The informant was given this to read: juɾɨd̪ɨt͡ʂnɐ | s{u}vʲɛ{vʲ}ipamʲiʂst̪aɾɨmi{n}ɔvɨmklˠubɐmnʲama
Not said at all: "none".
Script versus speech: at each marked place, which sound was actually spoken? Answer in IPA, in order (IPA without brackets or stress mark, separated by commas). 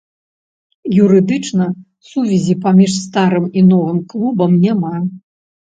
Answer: u, zʲ, n